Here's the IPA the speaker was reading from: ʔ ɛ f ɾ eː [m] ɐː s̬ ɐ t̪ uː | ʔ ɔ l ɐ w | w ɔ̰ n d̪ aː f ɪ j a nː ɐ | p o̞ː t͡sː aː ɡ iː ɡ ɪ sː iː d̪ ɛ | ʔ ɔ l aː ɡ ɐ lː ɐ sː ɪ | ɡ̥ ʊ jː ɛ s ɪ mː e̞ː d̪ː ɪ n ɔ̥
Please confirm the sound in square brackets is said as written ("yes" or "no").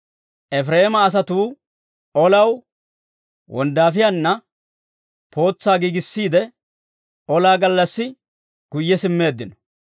yes